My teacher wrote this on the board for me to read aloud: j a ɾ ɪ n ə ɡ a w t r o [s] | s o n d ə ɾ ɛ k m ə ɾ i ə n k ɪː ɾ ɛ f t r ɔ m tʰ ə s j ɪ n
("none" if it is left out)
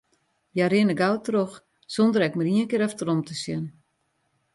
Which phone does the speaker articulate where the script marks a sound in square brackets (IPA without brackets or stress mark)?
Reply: x